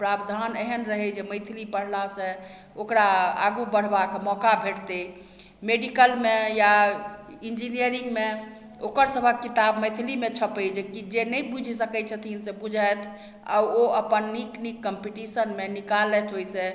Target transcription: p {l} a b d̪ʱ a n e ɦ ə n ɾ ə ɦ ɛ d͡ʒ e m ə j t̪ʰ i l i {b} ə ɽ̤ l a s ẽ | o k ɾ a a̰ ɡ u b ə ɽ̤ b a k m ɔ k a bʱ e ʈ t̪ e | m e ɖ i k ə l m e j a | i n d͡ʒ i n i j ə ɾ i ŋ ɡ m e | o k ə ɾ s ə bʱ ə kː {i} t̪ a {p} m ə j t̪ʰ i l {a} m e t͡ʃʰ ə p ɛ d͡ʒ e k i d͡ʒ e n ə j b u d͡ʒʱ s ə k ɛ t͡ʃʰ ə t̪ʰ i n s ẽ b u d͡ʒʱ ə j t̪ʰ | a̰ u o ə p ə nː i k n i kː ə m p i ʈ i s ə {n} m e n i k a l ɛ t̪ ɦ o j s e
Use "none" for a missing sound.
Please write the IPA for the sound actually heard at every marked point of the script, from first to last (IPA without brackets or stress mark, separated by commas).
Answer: ɾ, p, i, b, i, n